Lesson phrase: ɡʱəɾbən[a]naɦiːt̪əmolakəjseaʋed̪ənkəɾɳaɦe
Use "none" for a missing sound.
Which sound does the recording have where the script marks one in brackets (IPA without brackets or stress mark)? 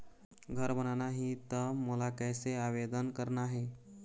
a